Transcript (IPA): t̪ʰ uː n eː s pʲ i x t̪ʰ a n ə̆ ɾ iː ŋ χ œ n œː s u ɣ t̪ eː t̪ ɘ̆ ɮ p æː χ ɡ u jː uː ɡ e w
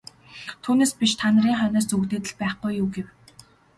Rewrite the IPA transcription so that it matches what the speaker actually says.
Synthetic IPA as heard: t̪ʰ uː n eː s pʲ i ʃ t̪ʰ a n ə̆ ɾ iː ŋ χ œ n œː s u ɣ t̪ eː t̪ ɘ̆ ɮ p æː χ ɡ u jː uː ɡ e w